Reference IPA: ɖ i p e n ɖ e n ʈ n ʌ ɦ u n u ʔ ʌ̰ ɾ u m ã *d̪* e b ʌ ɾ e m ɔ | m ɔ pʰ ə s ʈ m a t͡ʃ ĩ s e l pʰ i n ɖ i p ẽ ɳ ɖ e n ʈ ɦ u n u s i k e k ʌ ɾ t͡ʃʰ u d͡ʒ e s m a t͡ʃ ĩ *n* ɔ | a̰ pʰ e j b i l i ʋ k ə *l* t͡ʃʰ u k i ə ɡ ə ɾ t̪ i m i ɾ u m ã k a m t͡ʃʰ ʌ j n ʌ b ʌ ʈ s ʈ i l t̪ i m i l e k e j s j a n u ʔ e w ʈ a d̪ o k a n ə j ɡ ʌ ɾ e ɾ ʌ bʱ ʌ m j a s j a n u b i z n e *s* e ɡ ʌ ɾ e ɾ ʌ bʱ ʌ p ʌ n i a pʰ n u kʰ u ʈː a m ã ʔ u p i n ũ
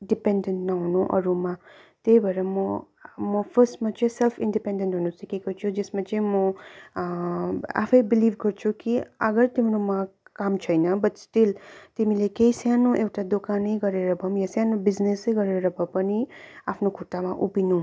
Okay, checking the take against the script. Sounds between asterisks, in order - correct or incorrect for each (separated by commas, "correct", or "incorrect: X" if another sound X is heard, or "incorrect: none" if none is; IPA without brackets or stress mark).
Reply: incorrect: t̪, incorrect: m, incorrect: ɾ, correct